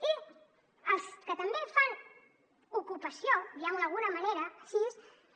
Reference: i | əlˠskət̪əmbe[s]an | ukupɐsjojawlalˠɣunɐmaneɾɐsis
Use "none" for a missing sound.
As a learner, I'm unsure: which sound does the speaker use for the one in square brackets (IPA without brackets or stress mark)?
f